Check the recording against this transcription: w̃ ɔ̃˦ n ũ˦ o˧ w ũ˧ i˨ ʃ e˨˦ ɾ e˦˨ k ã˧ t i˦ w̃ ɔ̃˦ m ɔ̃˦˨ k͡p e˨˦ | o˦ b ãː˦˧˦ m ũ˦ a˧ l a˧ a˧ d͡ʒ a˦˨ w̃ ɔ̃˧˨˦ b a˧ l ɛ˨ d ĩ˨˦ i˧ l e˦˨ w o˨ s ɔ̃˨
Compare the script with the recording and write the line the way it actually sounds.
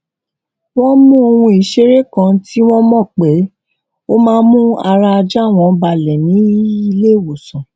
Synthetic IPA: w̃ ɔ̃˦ m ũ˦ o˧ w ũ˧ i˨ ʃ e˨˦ ɾ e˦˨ k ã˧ t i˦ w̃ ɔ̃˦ m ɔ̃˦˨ k͡p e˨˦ | o˦ m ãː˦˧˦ m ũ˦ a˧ ɾ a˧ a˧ d͡ʒ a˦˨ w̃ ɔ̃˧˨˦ b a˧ l ɛ˨ n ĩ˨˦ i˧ l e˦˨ w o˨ s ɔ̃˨